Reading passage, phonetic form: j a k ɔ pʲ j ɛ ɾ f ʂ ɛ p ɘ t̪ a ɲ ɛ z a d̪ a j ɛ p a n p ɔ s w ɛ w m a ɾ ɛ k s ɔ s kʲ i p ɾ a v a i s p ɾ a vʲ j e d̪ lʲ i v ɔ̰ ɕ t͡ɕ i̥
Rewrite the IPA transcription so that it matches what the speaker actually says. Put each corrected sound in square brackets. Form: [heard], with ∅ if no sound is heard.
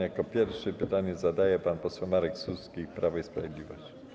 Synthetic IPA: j a k ɔ pʲ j ɛ ɾ f ʂ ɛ p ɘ t̪ a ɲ ɛ z a d̪ a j ɛ p a n p ɔ s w ɛ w m a ɾ ɛ k s [u] s kʲ i p ɾ a v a i s p ɾ a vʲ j e d̪ lʲ i v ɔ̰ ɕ t͡ɕ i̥